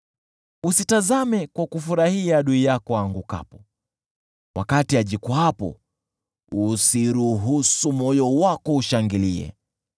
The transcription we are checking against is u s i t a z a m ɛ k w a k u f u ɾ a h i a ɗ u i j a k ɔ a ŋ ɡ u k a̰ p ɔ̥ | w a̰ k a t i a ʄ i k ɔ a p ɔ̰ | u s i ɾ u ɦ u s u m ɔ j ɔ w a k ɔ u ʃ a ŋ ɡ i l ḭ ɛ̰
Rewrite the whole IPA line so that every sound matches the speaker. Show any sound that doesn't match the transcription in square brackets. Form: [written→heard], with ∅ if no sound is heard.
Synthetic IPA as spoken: u s i t a z a m ɛ k w a k u f u ɾ a h i a ɗ u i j a k ɔ a ŋ ɡ u k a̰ p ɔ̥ | w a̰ k a t i a ʄ i k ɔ a p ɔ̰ | u s i ɾ u ɦ u s u m ɔ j ɔ w a k ɔ u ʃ a ŋ ɡ i l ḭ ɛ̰